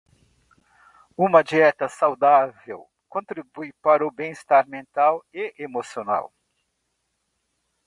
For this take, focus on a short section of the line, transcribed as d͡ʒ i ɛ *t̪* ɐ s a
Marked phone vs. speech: correct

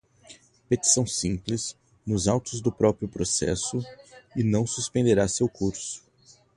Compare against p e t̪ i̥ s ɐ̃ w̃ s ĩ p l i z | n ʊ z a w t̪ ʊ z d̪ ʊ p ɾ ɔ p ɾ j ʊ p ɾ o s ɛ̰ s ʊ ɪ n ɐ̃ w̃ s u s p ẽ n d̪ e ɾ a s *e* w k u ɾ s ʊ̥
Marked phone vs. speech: correct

